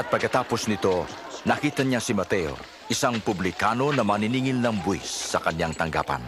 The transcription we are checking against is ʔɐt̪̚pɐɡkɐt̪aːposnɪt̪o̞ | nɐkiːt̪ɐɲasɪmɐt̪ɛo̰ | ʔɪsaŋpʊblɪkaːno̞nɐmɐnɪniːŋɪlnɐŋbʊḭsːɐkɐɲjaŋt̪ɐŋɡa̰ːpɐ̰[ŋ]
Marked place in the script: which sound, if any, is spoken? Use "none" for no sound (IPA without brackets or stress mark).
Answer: n